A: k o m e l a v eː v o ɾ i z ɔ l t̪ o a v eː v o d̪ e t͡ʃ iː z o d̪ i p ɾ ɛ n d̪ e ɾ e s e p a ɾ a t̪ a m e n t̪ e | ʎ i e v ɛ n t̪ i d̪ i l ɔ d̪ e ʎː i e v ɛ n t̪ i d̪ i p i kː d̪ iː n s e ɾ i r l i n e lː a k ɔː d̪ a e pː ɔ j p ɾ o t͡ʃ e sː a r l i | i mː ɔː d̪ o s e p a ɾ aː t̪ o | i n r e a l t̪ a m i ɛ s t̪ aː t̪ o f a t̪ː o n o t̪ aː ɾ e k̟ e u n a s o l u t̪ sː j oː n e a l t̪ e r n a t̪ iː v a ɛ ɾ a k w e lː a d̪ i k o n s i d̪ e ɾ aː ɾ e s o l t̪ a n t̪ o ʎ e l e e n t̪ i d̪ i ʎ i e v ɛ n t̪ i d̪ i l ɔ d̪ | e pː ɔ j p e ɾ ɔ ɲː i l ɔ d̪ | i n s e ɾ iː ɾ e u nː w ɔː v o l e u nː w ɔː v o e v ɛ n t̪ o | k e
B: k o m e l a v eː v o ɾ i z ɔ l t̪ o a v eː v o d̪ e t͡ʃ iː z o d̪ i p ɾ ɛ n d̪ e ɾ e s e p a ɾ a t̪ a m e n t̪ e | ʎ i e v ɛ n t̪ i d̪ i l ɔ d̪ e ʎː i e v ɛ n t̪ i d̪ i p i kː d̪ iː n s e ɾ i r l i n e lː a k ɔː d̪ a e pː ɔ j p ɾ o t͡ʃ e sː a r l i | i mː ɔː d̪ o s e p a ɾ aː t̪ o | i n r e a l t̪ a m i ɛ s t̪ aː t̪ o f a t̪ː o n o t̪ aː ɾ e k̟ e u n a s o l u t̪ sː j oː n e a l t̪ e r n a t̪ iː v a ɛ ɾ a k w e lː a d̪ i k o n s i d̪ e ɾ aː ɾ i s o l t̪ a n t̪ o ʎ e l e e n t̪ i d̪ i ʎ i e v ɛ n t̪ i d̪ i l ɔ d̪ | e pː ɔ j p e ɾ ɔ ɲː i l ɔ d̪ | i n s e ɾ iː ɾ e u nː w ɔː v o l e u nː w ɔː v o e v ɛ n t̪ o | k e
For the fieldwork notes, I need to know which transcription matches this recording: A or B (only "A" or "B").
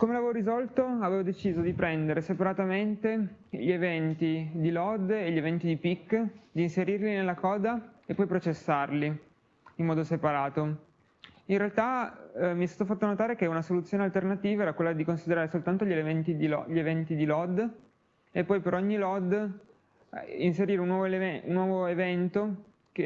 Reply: A